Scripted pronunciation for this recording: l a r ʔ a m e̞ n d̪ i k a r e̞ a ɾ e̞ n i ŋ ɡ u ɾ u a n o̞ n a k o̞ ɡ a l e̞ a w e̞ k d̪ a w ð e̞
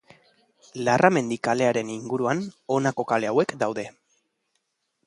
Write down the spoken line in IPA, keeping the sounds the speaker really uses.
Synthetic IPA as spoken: l a r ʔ a m e̞ n d̪ i k a l e̞ a ɾ e̞ n i ŋ ɡ u ɾ u a n o̞ n a k o̞ k a l e̞ a w e̞ k d̪ a w ð e̞